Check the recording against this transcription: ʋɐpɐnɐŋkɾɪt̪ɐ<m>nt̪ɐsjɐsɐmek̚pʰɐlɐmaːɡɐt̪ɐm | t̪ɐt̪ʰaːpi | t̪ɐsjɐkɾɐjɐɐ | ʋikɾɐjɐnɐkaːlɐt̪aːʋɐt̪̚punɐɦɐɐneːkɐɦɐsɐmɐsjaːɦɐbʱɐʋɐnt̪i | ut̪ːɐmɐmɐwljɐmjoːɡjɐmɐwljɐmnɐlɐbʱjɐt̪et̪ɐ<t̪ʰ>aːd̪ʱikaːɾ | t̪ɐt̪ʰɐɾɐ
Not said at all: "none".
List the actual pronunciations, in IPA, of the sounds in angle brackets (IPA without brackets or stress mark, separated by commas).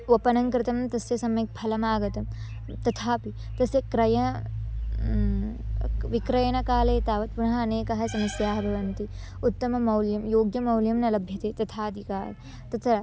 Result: m, t̪ʰ